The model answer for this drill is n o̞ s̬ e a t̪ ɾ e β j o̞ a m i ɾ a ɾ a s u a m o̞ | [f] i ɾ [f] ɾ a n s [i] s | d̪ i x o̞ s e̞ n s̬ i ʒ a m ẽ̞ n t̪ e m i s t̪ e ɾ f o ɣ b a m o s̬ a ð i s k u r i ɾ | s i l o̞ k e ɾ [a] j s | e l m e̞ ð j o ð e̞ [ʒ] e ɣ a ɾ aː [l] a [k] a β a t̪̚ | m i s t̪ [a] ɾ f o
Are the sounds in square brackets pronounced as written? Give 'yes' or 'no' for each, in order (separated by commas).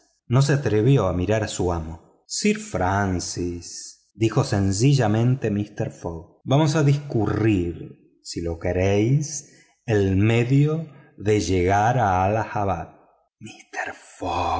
no, yes, yes, no, yes, yes, no, no